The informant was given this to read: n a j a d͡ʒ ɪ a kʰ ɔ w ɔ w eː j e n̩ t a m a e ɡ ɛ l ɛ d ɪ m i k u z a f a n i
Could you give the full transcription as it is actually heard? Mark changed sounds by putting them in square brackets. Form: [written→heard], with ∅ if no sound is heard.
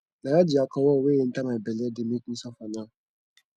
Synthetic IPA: n a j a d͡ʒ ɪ a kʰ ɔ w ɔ w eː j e n̩ t a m a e [ɡ→b] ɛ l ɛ d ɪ m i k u [z→s] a f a n [i→a]